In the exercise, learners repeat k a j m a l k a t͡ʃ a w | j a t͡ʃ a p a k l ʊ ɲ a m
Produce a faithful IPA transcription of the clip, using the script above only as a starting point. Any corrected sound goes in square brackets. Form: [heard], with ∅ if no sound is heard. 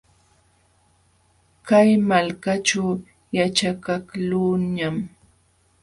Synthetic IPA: k a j m a l k a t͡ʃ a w | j a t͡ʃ a [k] a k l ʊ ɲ a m